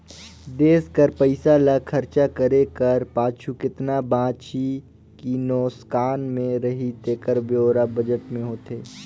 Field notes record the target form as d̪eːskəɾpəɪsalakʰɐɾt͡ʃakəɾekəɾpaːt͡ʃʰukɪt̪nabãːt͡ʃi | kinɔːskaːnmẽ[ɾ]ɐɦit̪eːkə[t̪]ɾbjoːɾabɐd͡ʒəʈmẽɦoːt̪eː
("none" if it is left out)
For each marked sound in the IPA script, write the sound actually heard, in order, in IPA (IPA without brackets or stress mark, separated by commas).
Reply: ɾ, none